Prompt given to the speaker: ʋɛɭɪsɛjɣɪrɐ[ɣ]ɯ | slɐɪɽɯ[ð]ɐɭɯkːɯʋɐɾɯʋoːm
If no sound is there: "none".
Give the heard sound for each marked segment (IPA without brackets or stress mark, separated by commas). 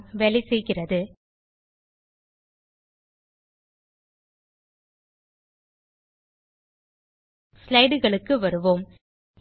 ð, ɣ